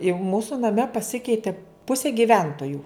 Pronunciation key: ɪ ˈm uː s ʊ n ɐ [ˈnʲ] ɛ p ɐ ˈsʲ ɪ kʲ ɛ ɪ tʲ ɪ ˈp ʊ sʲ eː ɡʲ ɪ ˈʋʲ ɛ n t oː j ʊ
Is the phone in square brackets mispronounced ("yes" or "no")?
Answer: yes